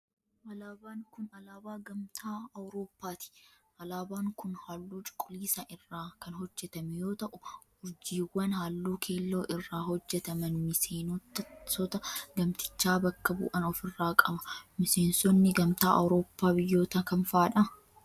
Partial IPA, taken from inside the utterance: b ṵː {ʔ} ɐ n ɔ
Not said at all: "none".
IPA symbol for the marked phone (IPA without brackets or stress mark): ʔ